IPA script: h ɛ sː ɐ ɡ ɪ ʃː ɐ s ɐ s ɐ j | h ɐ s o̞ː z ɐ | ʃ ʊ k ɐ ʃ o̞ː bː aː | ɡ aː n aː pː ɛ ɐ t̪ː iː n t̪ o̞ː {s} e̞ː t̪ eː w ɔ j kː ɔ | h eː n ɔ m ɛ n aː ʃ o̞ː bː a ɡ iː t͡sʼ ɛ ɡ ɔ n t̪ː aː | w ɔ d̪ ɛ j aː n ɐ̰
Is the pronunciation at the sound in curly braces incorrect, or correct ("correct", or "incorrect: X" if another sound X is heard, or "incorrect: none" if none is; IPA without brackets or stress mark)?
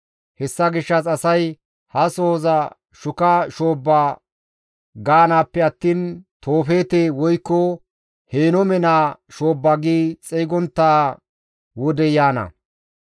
incorrect: f